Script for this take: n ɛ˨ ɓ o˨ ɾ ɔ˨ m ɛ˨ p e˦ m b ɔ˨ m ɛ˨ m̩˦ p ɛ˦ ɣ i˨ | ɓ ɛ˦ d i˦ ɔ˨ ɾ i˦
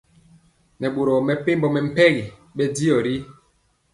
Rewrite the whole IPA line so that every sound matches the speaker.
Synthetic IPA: n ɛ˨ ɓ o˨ ɾ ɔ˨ m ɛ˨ p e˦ m b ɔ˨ m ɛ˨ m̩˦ p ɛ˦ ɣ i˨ | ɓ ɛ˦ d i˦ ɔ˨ ɾ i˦